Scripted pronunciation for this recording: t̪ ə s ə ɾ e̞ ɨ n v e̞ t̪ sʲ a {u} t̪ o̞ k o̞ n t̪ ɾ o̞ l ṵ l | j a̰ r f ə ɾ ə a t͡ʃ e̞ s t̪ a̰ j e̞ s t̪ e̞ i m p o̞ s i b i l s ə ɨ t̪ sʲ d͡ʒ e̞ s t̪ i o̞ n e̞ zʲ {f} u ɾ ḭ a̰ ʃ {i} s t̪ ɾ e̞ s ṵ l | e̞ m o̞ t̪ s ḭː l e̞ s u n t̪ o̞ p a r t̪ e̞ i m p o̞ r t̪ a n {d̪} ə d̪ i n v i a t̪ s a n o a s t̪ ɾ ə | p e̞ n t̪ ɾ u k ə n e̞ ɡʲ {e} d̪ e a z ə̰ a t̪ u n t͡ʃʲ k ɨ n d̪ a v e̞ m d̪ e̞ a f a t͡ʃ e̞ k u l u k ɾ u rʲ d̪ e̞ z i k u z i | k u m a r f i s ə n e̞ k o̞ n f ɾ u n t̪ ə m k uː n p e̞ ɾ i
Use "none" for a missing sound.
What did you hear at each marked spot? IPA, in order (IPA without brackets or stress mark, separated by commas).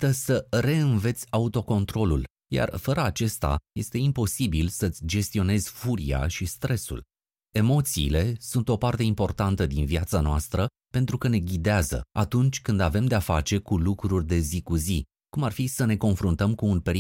u, f, i, t̪, i